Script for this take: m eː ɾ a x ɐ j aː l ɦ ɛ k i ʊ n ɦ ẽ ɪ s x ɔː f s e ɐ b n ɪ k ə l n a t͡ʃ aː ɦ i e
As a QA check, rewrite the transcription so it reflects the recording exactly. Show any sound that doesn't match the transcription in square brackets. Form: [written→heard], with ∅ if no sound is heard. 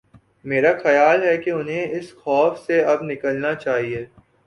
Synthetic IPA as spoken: m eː ɾ a x ɐ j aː l ɦ ɛ k [i→e] ʊ n ɦ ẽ ɪ s x ɔː f s e ɐ b n ɪ k ə l n a t͡ʃ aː ɦ i e